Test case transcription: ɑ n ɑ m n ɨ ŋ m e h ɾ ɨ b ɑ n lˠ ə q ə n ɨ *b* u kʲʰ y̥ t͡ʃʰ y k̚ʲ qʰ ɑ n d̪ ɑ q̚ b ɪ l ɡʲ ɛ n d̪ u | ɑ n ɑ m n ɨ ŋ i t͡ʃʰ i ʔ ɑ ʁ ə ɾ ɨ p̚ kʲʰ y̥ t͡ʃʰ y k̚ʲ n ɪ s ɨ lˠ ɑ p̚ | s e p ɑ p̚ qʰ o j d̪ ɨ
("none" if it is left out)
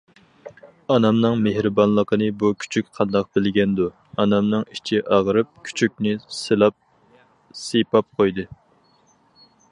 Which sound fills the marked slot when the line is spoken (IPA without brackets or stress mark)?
b